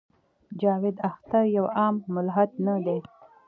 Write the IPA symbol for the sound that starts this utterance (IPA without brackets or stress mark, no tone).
d͡ʒ